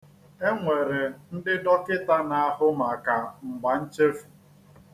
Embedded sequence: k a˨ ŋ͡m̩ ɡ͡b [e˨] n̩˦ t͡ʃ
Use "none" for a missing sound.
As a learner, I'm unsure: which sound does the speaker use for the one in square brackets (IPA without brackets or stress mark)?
a˨